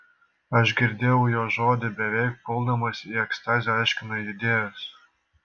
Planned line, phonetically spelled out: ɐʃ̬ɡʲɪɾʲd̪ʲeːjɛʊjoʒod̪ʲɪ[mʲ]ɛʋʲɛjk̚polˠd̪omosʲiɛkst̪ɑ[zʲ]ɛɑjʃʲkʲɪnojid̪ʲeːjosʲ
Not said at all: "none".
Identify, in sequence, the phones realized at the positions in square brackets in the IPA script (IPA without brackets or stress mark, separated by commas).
bʲ, zʲ